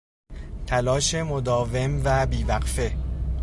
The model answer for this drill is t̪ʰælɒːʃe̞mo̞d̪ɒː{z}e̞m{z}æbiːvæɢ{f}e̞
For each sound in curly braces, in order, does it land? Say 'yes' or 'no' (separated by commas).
no, no, yes